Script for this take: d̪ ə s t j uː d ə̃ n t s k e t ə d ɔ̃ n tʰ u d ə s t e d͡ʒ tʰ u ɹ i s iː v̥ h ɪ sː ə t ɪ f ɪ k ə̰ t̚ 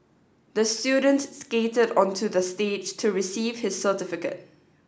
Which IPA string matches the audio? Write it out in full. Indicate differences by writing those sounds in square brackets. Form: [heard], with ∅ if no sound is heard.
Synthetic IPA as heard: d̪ ə s t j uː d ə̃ n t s k e t ə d ɔ̃ n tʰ u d ə s t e d͡ʒ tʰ u ɹ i s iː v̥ h ɪ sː ə t ɪ f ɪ k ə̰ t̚